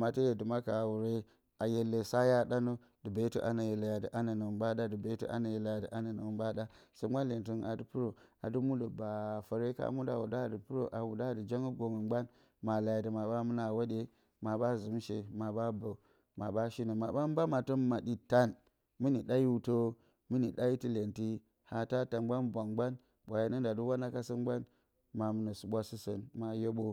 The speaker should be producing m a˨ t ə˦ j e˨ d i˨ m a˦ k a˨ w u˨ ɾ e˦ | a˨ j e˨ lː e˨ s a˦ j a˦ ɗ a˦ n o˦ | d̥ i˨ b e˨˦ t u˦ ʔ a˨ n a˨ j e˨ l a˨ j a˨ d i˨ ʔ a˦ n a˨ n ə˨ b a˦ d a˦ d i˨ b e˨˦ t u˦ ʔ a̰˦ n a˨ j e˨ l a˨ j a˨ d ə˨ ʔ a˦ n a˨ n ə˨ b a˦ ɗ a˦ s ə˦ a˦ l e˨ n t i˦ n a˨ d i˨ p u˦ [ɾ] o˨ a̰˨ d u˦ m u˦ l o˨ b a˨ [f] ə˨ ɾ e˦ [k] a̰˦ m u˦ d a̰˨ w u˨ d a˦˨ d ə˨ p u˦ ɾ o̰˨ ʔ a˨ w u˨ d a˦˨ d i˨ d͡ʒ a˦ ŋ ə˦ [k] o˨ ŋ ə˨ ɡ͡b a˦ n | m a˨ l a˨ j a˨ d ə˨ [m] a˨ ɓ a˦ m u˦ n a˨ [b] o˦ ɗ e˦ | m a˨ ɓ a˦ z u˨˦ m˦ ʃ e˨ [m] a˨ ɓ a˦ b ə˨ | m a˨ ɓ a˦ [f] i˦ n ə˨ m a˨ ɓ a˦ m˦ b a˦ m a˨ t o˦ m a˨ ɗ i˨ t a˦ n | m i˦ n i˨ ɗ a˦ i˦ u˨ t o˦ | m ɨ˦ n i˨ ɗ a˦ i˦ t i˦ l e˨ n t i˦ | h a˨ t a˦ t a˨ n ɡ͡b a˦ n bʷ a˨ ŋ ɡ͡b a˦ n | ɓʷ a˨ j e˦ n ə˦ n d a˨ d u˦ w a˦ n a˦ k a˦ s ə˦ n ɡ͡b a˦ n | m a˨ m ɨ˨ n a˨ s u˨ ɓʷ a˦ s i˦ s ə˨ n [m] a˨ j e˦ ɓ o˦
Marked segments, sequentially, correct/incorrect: correct, correct, correct, incorrect: ɡ, correct, incorrect: w, correct, incorrect: ʃ, correct

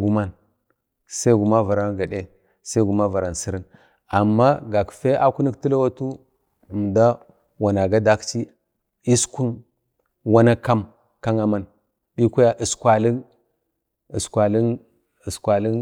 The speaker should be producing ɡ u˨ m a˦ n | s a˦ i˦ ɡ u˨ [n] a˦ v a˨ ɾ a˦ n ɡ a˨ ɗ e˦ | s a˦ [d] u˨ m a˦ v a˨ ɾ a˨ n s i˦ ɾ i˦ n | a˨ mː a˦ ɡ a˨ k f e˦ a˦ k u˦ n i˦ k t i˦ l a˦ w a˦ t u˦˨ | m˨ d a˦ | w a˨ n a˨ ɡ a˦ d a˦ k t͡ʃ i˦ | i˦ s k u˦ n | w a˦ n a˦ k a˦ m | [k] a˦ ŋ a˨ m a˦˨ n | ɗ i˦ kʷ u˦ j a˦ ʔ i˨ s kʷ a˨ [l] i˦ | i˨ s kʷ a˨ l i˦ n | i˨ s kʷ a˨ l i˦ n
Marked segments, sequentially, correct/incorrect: incorrect: m, incorrect: ɡ, correct, correct

